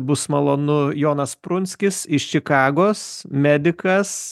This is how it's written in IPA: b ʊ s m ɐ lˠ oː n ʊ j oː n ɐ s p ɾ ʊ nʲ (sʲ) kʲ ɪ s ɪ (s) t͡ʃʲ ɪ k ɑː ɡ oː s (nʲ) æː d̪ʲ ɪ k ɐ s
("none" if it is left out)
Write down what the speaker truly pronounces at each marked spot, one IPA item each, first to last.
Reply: sʲ, ʃ, mʲ

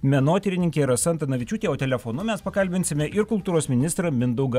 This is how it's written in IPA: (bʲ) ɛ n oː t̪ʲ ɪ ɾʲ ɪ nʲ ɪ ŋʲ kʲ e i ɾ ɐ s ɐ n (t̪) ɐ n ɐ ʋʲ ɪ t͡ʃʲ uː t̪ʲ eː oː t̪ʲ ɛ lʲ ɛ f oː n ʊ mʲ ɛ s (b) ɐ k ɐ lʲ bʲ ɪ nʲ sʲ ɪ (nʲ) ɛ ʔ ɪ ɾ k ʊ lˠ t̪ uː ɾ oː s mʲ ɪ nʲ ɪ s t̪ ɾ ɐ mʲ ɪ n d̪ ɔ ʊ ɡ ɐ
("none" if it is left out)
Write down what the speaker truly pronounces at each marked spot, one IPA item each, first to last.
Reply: mʲ, t̪, p, mʲ

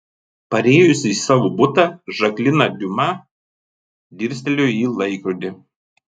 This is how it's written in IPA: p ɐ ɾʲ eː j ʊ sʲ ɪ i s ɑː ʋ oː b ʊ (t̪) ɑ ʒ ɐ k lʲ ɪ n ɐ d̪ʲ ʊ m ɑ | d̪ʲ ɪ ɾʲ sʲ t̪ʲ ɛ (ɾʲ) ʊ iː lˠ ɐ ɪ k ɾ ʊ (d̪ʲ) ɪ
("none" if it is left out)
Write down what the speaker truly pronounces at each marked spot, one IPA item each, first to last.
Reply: t̪, lʲ, d̪ʲ

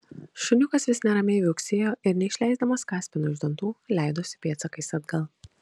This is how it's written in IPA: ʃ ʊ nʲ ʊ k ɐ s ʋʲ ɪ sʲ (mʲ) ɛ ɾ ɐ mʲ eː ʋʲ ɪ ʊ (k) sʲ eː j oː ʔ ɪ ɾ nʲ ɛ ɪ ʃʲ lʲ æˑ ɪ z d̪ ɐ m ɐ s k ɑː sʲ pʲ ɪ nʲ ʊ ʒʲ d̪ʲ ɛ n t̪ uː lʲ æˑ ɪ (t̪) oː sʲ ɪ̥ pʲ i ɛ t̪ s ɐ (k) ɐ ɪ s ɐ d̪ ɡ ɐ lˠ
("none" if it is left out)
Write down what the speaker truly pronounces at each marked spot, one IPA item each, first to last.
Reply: nʲ, k, d̪, k

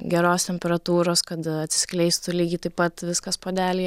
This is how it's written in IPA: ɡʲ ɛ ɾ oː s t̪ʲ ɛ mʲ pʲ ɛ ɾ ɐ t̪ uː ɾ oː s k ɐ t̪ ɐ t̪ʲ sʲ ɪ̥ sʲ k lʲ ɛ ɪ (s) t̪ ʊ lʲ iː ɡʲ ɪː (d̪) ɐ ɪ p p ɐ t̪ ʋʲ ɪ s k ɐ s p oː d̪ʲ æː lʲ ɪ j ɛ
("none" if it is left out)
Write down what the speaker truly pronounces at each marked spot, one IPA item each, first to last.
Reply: s, t̪

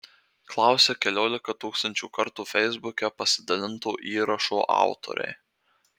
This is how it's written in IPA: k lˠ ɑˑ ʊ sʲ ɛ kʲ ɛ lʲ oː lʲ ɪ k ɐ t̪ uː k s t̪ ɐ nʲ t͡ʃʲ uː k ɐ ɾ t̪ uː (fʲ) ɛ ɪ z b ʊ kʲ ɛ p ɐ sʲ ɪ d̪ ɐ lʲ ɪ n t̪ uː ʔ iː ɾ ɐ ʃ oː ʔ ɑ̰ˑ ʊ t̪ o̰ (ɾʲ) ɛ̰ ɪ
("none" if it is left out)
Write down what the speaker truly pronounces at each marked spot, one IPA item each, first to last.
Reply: fʲ, ɾʲ

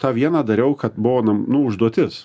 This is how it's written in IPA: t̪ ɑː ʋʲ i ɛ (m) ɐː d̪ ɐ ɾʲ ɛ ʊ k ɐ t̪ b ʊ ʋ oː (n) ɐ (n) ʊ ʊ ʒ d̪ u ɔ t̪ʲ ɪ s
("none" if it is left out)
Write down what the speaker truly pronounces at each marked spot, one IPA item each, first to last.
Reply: n, n, n

